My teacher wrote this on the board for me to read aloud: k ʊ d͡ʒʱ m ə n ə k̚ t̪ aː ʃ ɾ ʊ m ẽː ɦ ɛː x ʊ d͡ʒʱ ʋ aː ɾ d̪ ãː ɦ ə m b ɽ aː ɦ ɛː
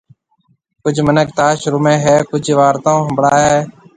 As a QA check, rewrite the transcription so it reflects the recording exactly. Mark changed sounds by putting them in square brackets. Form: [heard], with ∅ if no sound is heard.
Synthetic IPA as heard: k ʊ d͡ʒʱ m ə n ə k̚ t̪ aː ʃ ɾ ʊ m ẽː ɦ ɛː [k] ʊ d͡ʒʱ ʋ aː ɾ [t̪] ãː ɦ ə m b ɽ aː ɦ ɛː